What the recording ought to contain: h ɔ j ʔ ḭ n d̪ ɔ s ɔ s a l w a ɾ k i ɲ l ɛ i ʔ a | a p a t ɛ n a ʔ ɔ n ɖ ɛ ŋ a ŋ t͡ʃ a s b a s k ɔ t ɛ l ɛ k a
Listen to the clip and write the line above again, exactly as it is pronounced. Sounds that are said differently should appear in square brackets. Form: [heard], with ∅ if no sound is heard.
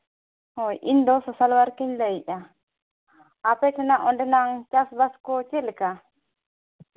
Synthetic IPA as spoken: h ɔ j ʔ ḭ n d̪ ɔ s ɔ s a l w a ɾ k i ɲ l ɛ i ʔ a | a p [ɛ] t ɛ n a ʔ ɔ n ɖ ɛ [n] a ŋ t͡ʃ a s b a s k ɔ [t͡ʃ] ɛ l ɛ k a